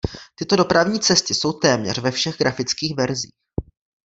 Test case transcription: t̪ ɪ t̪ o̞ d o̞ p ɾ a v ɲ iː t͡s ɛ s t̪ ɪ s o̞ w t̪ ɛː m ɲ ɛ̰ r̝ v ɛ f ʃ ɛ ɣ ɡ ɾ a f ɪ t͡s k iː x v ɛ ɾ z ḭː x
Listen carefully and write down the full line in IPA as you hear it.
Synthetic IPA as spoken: t̪ ɪ t̪ o̞ d o̞ p ɾ a v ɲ iː t͡s ɛ s t̪ ɪ s o̞ w t̪ ɛː m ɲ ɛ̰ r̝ v ɛ f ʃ ɛ ɣ ɡ ɾ a f ɪ t͡s k iː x v ɛ ɾ z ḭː x

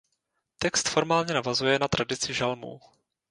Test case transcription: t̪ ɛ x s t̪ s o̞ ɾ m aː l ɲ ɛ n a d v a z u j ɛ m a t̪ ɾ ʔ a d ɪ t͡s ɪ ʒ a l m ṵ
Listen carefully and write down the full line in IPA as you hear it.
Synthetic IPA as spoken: t̪ ɛ k s t̪ f o̞ ɾ m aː l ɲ ɛ n a v a z u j ɛ n a t̪ ɾ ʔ a d ɪ t͡s ɪ ʒ a l m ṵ

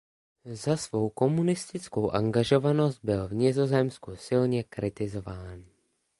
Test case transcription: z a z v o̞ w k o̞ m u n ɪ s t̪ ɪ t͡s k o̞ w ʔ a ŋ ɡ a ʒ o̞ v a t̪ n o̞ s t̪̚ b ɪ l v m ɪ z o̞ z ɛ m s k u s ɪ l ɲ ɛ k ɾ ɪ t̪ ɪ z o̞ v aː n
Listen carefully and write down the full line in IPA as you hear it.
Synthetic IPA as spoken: z a s v o̞ w k o̞ m u n ɪ s t̪ ɪ t͡s k o̞ w ʔ a ŋ ɡ a ʒ o̞ v a n o̞ s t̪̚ b ɪ l v ɲ ɪ z o̞ z ɛ m s k u s ɪ l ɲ ɛ k ɾ ɪ t̪ ɪ z o̞ v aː n

